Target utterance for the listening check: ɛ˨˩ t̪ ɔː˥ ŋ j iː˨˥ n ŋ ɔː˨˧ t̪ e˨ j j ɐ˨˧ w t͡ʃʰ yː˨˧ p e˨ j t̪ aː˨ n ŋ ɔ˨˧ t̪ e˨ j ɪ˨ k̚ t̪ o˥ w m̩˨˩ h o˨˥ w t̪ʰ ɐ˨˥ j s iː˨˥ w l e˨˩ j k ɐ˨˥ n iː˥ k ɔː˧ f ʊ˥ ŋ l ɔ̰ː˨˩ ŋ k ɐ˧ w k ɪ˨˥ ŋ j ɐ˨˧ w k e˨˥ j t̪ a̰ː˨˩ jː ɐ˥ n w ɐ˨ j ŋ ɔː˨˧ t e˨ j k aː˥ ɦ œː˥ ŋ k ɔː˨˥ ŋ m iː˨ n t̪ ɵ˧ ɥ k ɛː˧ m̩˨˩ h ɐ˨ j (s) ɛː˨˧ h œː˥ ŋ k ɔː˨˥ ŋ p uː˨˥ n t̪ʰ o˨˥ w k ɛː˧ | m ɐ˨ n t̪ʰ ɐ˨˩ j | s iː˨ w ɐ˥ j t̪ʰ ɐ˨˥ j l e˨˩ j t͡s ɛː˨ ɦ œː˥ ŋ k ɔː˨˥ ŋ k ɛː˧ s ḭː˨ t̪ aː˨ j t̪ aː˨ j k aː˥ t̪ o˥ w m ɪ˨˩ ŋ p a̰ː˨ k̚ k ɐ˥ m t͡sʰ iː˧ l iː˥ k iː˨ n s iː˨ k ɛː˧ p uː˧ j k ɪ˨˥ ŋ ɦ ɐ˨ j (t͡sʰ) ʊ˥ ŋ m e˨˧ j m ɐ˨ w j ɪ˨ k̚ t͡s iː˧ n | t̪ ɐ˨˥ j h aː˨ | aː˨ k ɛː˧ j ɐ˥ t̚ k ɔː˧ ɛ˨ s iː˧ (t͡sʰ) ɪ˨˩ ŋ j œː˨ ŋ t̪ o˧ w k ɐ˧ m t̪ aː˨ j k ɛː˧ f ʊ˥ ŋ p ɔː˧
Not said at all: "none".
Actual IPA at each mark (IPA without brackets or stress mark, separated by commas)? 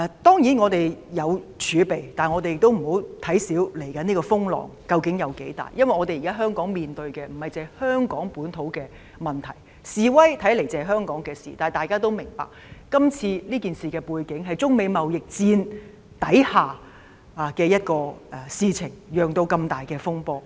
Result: t͡s, t͡s, t͡sʰ